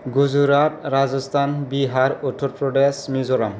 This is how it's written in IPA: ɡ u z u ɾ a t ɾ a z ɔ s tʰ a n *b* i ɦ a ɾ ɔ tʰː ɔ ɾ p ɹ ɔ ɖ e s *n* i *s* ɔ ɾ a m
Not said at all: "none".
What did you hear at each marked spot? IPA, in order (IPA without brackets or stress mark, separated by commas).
b, m, z